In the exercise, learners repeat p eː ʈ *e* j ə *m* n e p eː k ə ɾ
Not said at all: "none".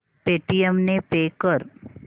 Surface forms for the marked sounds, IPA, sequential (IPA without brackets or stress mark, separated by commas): i, m